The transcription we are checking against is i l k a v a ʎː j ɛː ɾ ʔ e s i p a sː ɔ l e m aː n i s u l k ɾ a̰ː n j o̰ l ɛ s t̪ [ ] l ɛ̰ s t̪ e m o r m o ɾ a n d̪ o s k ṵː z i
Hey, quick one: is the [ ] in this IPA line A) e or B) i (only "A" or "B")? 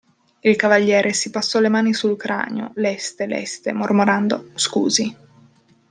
A